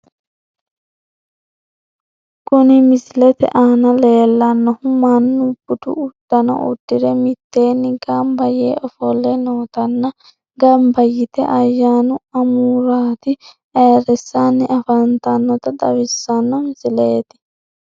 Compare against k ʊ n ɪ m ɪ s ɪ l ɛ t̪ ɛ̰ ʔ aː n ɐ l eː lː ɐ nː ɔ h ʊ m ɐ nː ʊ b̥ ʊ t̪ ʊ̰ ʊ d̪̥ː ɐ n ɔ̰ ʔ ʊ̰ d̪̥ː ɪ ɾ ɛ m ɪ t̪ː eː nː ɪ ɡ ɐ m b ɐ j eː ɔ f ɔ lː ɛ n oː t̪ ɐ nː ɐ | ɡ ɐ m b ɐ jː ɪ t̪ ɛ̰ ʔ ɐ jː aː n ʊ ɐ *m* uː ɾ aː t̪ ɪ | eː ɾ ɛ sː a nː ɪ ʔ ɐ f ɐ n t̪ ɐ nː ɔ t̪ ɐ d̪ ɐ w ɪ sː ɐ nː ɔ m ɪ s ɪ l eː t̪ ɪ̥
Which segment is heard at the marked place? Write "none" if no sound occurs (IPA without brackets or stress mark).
m